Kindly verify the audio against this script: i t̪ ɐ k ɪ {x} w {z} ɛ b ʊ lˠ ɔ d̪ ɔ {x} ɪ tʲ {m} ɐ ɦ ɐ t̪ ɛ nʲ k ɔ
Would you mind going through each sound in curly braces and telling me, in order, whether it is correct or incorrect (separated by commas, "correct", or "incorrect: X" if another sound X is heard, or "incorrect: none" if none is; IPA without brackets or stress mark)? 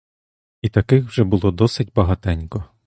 correct, incorrect: ʒ, incorrect: s, incorrect: b